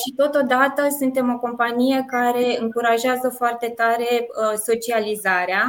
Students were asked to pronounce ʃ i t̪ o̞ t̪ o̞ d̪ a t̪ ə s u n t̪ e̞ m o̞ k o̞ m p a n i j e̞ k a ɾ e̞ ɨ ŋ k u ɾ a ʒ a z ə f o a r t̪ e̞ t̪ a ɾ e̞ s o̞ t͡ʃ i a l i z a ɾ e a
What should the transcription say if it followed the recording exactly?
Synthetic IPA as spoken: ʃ i t̪ o̞ t̪ o̞ d̪ a t̪ ə s u n t̪ e̞ m o̞ k o̞ m p a n i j e̞ k a ɾ e̞ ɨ ŋ k u ɾ a ʒ a z ə f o a r t̪ e̞ t̪ a ɾ e̞ s o̞ t͡ʃ i a l i z a ɾ e a